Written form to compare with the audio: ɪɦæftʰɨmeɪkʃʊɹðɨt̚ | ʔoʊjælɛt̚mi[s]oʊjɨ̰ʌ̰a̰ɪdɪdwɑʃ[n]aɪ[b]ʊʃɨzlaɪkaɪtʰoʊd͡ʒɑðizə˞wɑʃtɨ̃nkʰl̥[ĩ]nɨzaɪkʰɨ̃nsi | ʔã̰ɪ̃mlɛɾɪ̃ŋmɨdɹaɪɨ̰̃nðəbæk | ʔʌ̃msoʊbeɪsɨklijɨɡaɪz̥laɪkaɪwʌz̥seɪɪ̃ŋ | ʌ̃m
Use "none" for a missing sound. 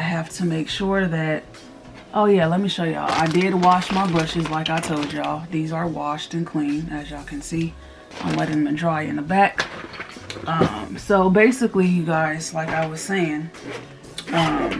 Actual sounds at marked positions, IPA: ʃ, m, b, ĩ

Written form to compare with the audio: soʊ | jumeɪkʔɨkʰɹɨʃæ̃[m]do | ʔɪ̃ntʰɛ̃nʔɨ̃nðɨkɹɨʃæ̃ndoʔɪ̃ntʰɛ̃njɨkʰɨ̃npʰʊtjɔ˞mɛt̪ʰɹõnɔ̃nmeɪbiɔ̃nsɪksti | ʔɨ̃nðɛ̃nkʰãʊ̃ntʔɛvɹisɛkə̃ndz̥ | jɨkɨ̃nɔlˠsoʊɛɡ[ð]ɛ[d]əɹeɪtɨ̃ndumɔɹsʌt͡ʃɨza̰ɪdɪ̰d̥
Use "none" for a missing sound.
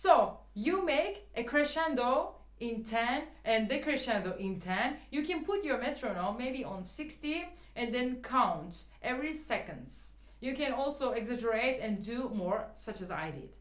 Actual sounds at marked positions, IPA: n, z, d͡ʒ

